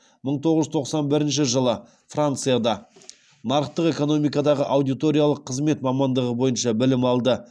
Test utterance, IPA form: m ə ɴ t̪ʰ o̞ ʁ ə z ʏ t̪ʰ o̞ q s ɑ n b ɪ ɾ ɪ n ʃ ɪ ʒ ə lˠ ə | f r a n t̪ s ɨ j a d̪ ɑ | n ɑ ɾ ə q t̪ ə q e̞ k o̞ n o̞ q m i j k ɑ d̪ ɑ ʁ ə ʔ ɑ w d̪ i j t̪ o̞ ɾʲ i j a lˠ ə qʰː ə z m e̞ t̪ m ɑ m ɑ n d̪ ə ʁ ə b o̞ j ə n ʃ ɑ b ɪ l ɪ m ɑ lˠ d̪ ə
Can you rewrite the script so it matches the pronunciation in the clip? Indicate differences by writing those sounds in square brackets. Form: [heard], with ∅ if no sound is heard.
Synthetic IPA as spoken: m ə ɴ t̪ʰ o̞ ʁ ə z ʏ t̪ʰ o̞ q s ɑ n b ɪ ɾ ɪ n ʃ ɪ ʒ ə lˠ ə | f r a n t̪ s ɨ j a d̪ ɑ | n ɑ ɾ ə q t̪ ə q e̞ k o̞ n o̞ [∅] m i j k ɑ d̪ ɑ ʁ ə ʔ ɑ w d̪ i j t̪ o̞ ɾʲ i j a lˠ ə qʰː ə z m e̞ t̪ m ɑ m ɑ n d̪ ə ʁ ə b o̞ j ə n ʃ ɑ b ɪ l ɪ m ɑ lˠ d̪ ə